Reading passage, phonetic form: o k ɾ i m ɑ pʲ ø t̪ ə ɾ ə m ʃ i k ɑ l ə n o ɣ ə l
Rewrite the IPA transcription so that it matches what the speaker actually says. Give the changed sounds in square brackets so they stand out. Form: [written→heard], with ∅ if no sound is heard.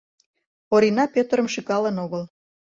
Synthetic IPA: o [k→∅] ɾ i [m→n] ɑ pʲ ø t̪ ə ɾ ə m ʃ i k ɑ l ə n o ɣ ə l